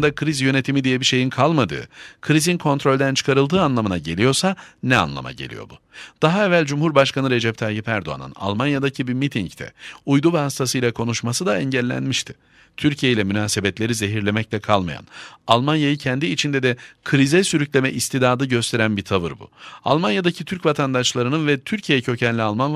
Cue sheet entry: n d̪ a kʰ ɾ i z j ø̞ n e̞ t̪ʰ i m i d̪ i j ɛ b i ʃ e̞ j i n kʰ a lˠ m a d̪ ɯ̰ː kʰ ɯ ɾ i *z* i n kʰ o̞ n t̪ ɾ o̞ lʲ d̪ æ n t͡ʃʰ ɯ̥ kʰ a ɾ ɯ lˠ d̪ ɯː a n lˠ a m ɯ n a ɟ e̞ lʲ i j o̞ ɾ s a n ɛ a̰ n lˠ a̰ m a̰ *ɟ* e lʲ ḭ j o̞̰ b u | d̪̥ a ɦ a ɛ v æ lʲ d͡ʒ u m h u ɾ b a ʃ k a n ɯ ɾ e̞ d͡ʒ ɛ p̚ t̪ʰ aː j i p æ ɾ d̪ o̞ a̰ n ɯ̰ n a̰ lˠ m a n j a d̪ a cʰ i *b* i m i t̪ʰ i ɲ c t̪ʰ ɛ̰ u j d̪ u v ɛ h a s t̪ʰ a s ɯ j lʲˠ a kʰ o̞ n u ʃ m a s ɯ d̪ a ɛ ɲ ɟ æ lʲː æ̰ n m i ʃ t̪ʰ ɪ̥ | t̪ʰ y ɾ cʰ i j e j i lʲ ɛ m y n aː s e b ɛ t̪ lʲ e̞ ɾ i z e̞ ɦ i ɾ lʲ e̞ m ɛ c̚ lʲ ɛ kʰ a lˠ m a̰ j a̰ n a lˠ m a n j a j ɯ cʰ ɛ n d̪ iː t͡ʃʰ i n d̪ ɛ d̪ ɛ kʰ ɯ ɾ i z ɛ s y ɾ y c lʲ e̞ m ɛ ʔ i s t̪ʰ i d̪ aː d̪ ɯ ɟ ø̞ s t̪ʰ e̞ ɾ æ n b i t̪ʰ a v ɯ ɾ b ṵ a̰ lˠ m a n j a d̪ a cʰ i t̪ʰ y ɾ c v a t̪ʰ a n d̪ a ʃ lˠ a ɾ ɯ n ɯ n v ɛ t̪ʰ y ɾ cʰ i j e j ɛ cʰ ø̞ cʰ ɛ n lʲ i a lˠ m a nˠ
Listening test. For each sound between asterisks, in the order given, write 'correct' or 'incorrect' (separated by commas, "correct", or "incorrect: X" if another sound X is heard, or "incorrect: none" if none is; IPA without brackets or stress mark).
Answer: correct, correct, correct